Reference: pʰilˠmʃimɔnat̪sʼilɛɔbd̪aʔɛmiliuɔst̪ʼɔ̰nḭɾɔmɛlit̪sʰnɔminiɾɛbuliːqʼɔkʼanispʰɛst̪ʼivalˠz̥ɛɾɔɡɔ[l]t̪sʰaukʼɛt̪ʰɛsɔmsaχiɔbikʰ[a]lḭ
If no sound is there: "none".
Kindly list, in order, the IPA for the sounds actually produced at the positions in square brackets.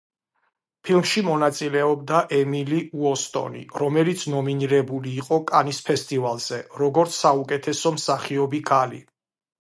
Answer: ɾ, a

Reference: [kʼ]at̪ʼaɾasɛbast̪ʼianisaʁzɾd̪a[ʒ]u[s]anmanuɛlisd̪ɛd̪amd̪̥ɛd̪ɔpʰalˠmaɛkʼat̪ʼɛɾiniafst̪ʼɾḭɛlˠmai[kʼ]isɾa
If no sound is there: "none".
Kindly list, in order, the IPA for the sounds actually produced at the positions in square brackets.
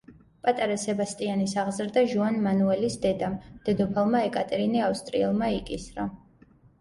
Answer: pʼ, ʒ, none, kʼ

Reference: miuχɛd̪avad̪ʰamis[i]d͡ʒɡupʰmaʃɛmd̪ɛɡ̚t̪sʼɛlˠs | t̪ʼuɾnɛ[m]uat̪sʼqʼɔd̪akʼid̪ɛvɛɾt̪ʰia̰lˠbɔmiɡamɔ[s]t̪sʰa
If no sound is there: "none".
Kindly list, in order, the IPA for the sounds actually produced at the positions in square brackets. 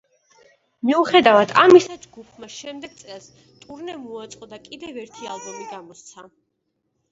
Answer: a, m, s

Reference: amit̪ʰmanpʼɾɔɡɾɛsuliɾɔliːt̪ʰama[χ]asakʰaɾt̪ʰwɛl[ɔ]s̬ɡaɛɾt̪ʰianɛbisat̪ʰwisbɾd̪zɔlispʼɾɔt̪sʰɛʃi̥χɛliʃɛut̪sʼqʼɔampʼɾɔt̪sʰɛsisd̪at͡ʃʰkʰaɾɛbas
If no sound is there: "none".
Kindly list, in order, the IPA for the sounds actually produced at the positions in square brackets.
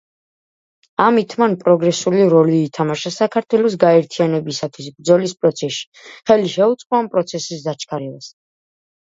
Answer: ʃ, ɔ

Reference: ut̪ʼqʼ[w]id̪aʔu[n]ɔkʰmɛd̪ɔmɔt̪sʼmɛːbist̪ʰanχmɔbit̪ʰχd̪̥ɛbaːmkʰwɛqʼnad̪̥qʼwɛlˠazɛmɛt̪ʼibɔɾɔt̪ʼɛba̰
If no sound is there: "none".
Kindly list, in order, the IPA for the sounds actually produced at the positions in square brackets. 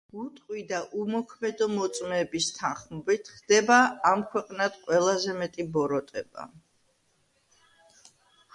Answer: w, m

